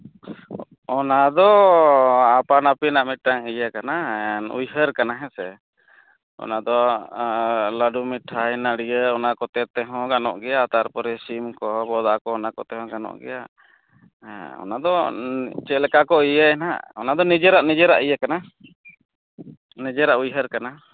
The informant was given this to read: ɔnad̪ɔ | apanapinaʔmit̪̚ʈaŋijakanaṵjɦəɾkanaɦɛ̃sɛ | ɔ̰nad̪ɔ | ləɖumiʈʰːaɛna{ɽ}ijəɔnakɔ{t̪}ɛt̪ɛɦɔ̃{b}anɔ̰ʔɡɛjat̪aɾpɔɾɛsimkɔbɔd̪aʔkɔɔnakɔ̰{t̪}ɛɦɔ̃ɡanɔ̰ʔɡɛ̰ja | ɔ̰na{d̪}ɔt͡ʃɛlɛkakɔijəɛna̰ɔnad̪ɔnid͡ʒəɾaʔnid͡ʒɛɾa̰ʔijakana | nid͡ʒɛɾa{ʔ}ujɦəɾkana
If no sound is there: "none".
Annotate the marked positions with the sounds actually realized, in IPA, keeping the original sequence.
ɽ, t̪, ɡ, t̪, d̪, ʔ

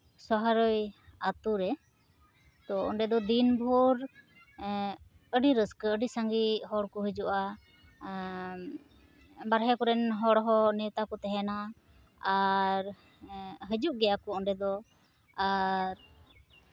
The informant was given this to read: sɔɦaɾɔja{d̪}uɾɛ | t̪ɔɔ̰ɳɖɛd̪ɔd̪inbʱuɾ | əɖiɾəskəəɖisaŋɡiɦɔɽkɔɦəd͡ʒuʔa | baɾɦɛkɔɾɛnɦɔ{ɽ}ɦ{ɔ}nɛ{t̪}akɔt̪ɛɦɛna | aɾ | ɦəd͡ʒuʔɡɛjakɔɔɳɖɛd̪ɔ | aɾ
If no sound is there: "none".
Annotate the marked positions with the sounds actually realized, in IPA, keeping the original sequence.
t̪, ɽ, ɔ, t̪

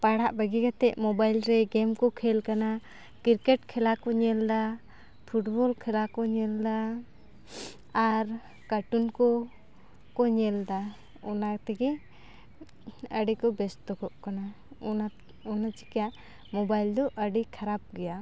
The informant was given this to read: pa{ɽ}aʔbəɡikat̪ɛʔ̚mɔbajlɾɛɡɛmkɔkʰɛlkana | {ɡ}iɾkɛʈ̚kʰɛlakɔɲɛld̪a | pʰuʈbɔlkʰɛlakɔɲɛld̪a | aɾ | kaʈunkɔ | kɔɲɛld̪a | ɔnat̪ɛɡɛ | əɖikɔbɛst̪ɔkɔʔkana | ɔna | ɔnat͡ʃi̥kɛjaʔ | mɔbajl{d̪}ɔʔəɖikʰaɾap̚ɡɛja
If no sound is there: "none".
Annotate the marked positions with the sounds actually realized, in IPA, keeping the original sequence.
ɽ, k, d̪

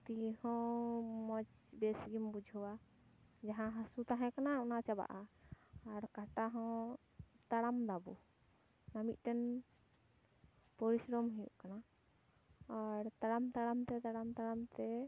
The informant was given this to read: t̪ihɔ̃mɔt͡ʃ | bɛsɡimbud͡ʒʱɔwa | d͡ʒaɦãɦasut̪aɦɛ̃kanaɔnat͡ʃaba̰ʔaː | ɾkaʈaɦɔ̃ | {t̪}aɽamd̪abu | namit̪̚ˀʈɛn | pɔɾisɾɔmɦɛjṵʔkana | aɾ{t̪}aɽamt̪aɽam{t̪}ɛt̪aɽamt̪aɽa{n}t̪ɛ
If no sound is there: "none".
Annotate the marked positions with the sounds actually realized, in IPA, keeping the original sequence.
t̪, t̪, t̪, m

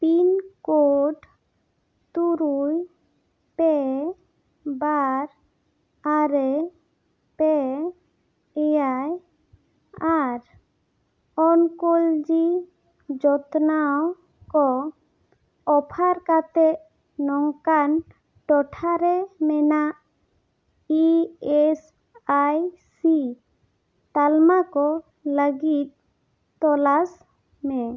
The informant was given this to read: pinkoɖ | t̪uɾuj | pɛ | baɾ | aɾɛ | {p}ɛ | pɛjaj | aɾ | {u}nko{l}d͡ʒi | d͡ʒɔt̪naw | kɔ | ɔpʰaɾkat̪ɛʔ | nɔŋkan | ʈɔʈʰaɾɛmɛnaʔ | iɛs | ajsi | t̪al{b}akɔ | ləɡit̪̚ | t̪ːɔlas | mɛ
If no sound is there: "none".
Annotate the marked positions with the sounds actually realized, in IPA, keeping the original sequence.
p, ɔ, l, m

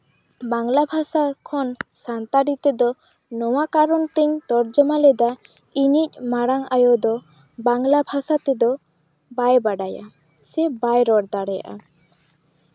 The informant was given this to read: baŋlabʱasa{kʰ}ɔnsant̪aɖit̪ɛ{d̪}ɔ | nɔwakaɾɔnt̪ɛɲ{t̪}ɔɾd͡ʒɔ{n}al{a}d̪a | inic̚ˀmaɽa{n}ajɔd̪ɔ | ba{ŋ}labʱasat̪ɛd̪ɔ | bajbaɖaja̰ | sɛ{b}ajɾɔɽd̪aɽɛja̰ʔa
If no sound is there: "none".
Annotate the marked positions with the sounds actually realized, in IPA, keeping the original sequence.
kʰ, d̪, t̪, m, ɛ, ŋ, ŋ, b

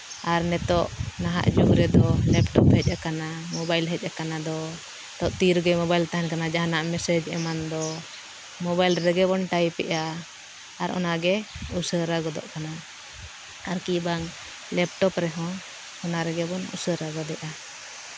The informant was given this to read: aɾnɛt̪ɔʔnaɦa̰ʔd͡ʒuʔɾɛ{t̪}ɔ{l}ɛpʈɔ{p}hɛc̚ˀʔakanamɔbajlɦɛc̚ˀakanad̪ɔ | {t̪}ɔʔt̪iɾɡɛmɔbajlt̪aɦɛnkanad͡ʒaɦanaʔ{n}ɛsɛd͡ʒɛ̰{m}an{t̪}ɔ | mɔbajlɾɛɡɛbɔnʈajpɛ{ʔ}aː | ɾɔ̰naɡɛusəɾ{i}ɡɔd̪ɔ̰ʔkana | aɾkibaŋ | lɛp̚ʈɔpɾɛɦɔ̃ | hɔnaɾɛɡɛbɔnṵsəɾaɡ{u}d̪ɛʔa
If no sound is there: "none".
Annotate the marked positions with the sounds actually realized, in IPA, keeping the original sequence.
d̪, l, p, t̪, m, m, d̪, ʔ, a, ɔ

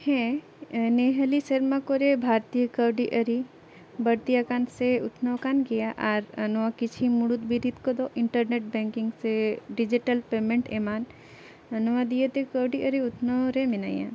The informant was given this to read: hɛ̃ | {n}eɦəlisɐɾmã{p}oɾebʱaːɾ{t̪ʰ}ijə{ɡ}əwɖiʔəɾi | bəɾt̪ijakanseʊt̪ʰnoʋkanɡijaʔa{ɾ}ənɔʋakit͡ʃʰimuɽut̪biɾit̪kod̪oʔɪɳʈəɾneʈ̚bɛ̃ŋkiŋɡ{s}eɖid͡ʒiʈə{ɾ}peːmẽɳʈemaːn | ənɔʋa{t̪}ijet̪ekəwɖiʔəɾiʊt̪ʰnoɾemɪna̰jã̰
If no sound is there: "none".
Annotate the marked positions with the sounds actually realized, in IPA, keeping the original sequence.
n, k, t̪, k, ɾ, s, l, d̪

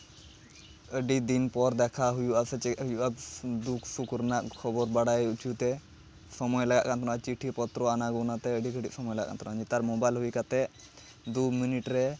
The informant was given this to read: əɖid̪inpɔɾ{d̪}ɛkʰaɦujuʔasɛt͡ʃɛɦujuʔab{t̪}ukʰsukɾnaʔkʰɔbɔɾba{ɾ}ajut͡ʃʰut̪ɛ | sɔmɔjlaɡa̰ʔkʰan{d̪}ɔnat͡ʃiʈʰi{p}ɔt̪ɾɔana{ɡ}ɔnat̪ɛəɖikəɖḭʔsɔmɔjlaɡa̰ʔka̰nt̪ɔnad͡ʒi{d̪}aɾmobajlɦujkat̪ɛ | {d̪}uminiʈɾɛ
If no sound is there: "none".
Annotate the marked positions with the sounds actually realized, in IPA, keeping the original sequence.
d̪, d̪, ɽ, t̪, p, ɡ, t̪, d̪

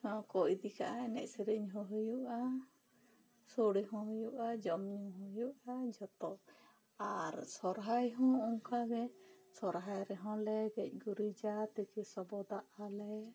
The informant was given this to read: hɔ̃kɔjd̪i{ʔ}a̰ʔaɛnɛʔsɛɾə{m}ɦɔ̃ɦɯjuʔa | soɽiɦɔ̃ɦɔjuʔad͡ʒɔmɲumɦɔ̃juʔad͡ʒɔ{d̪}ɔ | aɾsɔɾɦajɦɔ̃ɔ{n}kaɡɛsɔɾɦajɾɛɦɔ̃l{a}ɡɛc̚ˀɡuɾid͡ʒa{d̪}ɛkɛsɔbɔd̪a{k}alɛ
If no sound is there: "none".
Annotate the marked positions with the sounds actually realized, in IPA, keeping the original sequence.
k, ɲ, t̪, ŋ, ɛ, t̪, ʔ

